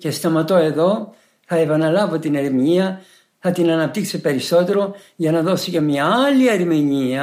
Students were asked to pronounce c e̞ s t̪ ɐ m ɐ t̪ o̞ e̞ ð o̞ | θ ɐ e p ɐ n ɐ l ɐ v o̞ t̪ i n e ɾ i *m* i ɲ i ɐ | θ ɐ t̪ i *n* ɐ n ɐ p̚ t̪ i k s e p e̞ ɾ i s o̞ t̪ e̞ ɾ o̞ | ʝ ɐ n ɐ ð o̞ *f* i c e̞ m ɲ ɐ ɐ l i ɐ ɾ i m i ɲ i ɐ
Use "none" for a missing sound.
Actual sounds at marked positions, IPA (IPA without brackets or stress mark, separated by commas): m, n, s